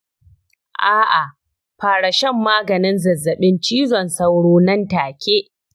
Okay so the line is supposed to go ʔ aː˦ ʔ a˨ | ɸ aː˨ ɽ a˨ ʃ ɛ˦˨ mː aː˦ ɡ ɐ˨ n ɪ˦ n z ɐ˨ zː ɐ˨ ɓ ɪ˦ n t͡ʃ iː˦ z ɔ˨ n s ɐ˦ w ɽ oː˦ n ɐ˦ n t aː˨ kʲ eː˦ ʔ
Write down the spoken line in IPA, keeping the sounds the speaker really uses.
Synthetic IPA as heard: ʔ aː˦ ʔ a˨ | ɸ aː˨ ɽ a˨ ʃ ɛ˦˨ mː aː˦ ɡ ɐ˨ n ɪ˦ n z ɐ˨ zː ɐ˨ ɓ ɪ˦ n t͡ʃ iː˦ z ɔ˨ n s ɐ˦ w ɽ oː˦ n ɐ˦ n t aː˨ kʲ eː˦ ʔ